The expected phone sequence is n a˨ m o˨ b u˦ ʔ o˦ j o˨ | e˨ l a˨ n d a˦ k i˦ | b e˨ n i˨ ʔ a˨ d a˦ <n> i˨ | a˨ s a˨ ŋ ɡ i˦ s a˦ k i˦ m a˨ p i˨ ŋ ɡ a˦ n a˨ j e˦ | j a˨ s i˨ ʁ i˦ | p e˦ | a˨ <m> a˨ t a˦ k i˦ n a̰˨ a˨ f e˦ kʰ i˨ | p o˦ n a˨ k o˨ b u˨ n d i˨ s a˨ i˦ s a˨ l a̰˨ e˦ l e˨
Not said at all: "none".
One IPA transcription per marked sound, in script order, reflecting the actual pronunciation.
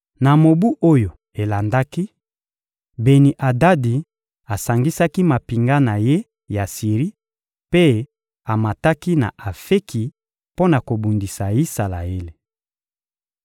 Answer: d, m

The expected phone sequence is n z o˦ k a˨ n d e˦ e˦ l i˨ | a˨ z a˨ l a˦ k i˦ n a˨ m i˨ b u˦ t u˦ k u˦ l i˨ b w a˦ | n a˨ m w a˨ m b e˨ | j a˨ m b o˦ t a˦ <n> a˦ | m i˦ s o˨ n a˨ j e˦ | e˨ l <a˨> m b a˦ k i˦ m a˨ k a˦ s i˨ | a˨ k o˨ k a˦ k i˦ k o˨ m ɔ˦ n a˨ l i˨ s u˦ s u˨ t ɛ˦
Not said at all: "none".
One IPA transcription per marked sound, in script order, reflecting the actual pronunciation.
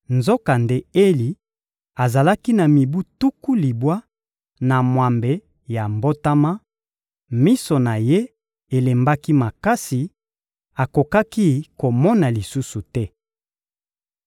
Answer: m, e˨

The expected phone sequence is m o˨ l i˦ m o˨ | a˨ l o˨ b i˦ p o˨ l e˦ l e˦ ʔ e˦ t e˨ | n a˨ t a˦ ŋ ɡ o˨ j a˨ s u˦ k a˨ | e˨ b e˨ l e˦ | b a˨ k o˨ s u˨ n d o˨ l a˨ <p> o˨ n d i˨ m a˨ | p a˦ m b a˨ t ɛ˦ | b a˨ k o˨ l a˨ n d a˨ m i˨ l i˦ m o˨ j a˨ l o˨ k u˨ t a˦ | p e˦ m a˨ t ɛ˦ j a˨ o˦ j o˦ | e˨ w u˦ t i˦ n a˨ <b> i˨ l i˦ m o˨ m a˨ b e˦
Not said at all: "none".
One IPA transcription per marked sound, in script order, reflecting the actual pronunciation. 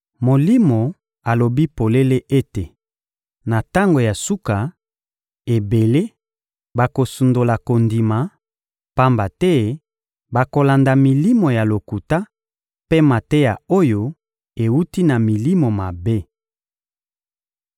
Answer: k, m

